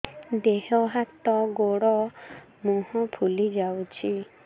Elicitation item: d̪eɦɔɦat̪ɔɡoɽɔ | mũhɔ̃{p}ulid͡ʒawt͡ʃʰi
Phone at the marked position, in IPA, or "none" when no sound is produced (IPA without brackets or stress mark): pʰ